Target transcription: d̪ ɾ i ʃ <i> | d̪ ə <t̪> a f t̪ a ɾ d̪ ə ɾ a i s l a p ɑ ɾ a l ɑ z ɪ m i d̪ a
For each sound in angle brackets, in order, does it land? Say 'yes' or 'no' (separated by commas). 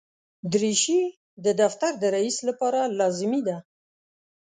yes, no